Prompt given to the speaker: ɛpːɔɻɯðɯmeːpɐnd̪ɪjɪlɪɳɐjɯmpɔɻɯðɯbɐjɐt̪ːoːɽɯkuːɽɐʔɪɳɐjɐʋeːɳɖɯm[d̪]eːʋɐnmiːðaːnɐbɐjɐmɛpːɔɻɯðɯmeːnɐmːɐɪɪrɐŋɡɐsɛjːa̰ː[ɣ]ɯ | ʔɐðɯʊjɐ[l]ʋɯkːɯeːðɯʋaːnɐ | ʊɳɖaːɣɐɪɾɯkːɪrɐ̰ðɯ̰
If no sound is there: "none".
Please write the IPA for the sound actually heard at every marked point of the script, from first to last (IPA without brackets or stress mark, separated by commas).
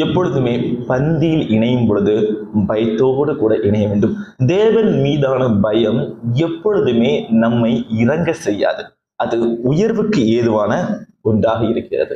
d̪, ð, ɾ